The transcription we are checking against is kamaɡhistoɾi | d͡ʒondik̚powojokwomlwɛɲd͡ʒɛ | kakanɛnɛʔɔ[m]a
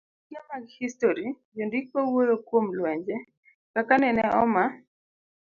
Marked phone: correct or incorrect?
correct